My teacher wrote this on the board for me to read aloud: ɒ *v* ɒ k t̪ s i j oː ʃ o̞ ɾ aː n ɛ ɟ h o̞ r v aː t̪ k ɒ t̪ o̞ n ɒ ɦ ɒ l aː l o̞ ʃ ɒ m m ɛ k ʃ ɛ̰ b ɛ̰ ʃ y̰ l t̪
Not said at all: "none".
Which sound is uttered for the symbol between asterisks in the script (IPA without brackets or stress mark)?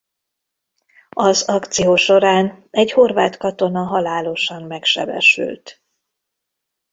z